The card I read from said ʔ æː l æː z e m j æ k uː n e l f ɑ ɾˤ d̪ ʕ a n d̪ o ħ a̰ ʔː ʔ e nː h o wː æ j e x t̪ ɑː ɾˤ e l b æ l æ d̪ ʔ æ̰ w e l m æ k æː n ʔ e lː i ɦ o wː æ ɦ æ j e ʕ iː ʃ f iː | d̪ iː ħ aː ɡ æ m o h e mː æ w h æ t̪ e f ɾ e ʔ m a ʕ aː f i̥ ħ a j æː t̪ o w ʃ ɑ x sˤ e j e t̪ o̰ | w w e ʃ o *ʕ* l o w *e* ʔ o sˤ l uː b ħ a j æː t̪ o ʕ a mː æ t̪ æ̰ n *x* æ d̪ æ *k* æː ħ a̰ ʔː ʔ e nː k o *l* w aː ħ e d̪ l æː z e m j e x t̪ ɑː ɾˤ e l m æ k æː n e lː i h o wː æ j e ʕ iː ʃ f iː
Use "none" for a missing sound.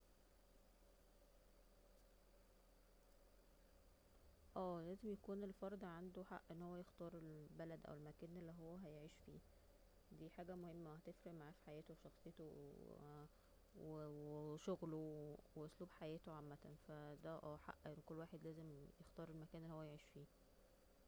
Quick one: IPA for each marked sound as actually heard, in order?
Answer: ɣ, e, f, ʔ, lː

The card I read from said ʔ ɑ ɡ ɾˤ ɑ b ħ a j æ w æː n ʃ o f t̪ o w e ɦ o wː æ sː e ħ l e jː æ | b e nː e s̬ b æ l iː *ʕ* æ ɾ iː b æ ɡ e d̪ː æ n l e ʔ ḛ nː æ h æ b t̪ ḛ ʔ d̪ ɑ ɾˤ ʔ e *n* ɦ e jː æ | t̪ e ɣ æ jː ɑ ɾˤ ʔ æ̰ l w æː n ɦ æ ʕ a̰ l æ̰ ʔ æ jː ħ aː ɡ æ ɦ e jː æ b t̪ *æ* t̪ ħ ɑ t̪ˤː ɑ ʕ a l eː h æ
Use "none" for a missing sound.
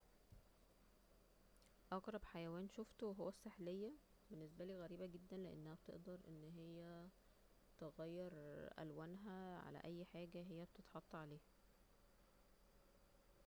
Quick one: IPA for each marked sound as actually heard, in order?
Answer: ɣ, nː, e

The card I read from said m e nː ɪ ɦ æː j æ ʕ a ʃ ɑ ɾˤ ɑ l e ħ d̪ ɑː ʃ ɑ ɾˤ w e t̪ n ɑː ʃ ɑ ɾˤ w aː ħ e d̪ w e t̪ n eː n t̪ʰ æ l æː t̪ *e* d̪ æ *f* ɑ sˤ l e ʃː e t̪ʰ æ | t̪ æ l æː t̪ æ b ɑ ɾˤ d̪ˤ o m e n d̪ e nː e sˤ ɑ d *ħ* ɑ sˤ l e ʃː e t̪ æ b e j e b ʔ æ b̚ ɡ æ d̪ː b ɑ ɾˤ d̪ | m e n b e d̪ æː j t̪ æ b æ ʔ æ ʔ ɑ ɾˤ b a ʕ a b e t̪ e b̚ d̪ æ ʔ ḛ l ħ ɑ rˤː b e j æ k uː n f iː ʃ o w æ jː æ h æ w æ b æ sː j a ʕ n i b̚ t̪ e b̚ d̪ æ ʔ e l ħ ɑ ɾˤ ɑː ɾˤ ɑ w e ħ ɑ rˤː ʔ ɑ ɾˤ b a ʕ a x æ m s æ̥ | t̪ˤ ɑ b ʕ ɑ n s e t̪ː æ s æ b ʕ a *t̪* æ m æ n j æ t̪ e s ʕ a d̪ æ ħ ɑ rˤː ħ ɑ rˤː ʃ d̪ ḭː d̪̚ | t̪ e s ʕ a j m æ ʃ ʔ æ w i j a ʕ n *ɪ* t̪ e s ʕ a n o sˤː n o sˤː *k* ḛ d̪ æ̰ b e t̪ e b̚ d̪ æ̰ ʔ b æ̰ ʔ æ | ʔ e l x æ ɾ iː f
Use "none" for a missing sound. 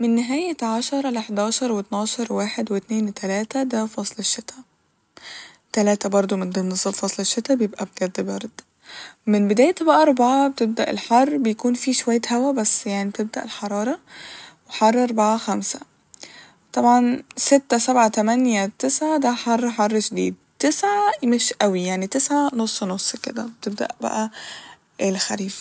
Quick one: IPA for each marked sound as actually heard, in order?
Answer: æ, f, f, t̪, i, k

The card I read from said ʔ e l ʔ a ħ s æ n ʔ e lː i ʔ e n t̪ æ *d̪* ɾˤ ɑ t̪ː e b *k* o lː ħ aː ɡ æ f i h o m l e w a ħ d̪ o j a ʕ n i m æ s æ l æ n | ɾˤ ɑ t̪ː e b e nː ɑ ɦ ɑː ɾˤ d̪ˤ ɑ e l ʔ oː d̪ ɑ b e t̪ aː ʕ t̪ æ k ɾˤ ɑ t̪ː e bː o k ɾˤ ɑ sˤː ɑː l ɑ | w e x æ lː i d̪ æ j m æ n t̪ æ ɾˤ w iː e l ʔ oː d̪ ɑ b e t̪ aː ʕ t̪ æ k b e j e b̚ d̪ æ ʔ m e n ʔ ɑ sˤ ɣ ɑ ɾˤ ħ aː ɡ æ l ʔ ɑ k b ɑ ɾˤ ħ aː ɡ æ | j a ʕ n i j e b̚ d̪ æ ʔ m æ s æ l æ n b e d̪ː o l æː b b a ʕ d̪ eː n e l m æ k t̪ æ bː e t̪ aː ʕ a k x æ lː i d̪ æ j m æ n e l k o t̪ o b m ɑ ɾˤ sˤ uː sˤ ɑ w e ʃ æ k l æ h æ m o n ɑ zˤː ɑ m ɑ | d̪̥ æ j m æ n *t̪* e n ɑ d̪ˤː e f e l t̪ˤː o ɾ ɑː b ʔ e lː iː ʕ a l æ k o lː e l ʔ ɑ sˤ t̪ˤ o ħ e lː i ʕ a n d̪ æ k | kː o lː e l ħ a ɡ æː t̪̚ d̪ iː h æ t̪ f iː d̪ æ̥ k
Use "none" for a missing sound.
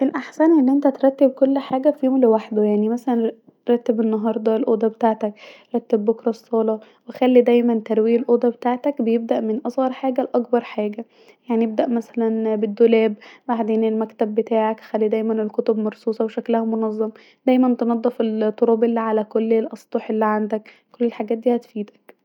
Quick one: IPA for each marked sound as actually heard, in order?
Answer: t̪, k, t̪

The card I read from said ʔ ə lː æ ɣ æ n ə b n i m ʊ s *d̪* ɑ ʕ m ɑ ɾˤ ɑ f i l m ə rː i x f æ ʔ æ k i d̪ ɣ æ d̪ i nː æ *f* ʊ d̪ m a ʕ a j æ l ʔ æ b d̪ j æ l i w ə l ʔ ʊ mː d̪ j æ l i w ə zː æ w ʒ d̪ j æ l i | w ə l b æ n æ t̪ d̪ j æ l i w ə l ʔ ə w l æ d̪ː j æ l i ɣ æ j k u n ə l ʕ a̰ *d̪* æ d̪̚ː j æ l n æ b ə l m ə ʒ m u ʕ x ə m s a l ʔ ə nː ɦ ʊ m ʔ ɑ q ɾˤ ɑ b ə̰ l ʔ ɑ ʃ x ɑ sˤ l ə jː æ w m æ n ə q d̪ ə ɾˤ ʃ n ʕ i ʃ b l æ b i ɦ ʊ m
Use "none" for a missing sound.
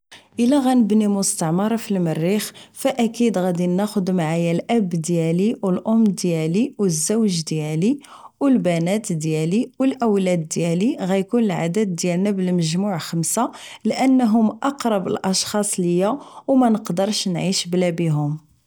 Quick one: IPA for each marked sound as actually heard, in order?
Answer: t̪, x, d̪

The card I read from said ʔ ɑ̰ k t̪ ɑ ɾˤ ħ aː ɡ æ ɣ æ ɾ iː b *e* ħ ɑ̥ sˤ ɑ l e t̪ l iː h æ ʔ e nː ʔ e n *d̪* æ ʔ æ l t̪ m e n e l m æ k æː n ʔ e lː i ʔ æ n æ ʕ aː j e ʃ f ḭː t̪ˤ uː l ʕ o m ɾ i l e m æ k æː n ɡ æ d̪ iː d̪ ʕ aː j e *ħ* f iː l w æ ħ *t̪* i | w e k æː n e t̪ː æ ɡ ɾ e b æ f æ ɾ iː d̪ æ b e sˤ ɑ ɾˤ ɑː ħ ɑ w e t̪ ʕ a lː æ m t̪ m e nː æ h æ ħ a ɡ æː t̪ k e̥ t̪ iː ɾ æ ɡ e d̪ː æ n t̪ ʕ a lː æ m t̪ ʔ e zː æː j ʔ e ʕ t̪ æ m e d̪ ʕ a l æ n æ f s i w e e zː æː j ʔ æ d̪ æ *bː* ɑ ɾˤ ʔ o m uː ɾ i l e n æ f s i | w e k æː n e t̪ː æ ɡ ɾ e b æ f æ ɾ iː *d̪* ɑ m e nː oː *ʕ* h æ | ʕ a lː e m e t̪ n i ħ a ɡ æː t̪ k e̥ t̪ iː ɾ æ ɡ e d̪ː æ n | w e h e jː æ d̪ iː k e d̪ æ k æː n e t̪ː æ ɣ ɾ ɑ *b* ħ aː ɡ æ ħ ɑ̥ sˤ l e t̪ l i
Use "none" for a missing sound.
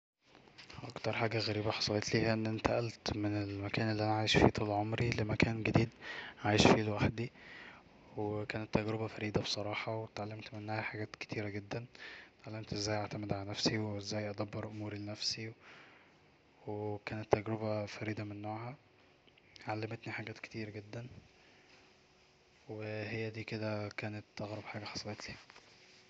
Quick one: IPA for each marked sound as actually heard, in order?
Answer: æ, t̪, ʃ, d̪, bː, d̪, ʕ, b

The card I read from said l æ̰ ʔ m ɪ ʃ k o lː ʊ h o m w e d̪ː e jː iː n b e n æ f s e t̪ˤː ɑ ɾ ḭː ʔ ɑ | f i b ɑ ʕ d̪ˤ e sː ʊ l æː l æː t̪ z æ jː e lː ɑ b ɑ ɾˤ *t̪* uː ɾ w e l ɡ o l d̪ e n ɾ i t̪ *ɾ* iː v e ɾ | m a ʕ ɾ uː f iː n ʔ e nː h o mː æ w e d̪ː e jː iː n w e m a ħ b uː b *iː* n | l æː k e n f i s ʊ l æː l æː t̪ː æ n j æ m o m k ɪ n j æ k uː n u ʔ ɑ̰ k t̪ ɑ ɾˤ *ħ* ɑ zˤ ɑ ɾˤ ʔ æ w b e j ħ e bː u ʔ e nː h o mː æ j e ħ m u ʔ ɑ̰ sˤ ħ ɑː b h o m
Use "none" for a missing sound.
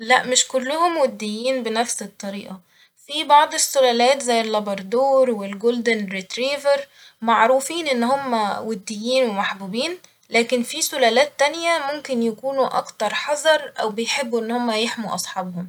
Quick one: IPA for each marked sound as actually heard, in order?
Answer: d̪, ɾ, iː, ħ

